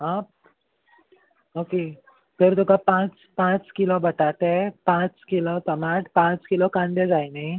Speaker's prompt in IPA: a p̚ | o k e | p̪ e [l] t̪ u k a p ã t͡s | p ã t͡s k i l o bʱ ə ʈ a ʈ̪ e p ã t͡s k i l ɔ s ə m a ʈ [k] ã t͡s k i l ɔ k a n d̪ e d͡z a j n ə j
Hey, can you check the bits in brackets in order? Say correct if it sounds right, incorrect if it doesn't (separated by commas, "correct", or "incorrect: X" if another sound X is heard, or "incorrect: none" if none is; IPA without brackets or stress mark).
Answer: incorrect: ɾ, incorrect: p